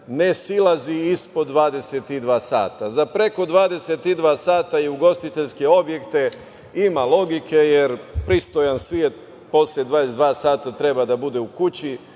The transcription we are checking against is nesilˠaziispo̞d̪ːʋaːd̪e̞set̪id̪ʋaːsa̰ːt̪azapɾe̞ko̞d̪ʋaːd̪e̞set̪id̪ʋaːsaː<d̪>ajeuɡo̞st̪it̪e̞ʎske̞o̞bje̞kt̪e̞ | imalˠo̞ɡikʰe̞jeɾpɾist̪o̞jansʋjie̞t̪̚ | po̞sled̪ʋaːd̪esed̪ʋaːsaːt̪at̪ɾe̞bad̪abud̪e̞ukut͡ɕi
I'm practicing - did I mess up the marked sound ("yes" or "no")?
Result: yes